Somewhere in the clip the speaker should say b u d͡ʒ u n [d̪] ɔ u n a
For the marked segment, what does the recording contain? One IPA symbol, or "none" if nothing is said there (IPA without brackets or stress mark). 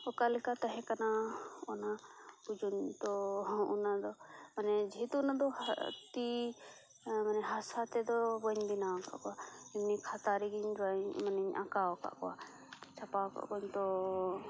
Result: t̪